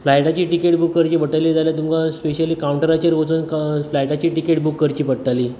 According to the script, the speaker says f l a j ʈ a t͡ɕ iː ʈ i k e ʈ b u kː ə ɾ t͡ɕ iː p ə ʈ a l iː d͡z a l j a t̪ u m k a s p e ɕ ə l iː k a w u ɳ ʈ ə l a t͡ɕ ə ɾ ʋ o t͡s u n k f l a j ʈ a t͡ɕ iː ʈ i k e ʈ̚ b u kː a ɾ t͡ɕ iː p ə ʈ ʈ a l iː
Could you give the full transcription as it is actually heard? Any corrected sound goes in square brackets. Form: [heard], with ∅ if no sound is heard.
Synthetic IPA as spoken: f l a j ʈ a t͡ɕ iː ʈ i k e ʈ b u kː ə ɾ t͡ɕ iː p ə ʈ a l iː d͡z a l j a t̪ u m k a s p e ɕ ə l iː k a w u ɳ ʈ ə [ɾ] a t͡ɕ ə ɾ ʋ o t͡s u n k f l a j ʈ a t͡ɕ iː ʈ i k e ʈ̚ b u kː [ə] ɾ t͡ɕ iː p ə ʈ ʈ a l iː